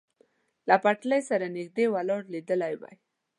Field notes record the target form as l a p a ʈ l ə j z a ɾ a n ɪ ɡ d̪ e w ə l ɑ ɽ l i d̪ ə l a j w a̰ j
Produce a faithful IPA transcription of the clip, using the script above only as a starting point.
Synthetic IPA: l a p a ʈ l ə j s a ɾ a n ɪ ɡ d̪ e w a l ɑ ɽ l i d̪ ə l a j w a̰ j